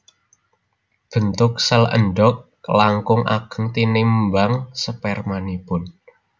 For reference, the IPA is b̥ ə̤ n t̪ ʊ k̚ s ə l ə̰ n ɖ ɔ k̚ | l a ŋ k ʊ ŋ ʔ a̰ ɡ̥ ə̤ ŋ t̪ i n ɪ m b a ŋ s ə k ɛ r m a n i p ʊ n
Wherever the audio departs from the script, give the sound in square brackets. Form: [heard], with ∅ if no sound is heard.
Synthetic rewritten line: b̥ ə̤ n t̪ ʊ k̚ s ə l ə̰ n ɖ ɔ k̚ | l a ŋ k ʊ ŋ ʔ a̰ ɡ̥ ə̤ ŋ t̪ i n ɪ m b a ŋ s ə [p] ɛ r m a n i p ʊ n